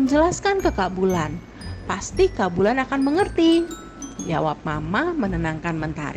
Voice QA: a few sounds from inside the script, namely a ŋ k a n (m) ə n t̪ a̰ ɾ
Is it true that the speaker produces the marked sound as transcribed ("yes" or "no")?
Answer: yes